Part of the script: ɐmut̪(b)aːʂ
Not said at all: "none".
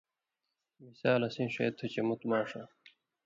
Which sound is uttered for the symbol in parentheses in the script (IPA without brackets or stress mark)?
m